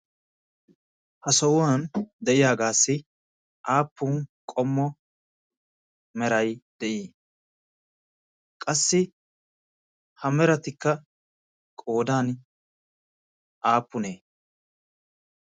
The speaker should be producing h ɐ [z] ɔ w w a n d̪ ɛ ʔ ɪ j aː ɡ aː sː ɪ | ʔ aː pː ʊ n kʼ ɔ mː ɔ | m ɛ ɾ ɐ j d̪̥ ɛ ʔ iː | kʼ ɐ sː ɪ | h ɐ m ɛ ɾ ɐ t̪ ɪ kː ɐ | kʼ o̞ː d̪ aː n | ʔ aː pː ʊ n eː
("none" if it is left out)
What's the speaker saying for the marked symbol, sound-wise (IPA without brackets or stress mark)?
s